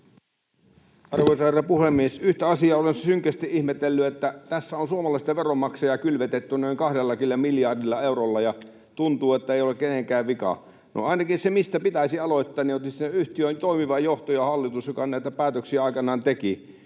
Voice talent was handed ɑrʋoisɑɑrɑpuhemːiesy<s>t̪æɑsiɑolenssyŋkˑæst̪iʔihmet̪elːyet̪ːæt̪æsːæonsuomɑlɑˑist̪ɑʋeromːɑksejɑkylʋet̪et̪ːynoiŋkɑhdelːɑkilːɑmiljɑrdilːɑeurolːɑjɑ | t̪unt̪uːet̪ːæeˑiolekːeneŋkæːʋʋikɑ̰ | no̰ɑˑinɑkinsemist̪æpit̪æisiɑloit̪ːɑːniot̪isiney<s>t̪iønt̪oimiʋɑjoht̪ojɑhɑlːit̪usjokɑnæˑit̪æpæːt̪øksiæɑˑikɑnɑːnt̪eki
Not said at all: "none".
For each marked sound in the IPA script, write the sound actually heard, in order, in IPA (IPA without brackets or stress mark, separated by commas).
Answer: h, h